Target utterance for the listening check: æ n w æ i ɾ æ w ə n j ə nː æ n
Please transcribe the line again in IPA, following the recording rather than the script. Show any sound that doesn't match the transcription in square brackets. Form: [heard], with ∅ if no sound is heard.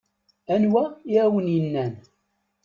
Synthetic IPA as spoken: æ n w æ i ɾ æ w ə n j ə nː æ n